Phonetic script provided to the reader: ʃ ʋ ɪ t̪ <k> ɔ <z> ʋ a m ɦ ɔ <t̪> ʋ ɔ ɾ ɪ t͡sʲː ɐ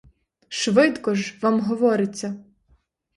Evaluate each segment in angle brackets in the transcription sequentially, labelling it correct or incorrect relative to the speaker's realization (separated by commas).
correct, incorrect, incorrect